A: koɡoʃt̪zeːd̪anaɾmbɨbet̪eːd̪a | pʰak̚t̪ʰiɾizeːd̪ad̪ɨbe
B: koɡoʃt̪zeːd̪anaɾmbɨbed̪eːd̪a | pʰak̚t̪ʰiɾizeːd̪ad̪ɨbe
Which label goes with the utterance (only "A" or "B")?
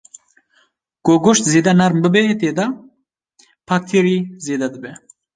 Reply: A